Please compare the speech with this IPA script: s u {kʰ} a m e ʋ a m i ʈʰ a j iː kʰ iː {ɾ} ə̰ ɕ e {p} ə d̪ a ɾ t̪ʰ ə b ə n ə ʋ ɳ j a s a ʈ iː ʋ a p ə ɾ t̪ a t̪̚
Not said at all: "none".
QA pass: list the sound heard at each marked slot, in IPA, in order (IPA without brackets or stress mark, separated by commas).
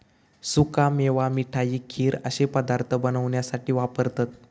k, ɾ, p